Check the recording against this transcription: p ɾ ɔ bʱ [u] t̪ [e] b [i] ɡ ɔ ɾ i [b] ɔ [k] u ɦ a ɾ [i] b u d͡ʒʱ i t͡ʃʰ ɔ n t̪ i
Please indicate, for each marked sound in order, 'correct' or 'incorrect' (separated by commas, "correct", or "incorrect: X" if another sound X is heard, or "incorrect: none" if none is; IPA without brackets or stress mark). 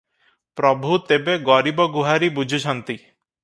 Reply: correct, correct, incorrect: e, correct, incorrect: ɡ, correct